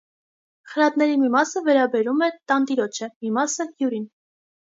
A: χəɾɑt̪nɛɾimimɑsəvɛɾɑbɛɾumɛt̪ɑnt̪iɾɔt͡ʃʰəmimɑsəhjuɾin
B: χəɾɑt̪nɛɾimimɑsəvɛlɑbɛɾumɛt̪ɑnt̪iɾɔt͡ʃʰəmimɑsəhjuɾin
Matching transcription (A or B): A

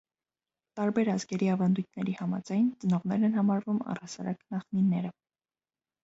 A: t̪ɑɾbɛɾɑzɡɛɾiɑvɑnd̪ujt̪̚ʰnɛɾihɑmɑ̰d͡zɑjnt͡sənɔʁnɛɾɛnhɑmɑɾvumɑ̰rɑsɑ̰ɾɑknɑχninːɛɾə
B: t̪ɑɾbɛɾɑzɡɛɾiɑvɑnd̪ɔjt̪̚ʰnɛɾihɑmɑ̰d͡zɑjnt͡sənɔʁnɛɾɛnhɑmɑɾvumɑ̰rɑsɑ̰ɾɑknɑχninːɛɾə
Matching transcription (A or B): A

